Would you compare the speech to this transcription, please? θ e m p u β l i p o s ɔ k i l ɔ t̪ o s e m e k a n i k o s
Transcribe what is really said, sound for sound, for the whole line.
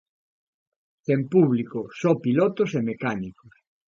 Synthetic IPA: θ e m p u β l i k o s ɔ p i l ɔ t̪ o s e m e k a n i k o s